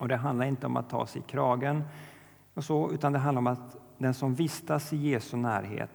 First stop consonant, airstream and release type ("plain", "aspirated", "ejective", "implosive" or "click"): plain